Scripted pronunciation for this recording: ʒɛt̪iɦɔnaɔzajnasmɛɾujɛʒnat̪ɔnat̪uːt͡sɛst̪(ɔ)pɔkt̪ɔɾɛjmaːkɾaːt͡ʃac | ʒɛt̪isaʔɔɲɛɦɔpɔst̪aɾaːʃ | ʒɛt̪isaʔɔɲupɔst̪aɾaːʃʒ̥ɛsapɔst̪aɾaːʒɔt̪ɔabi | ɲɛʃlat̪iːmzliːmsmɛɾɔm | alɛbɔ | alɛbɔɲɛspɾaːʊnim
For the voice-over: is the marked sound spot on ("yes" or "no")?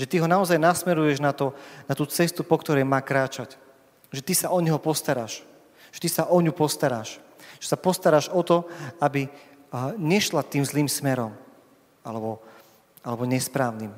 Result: no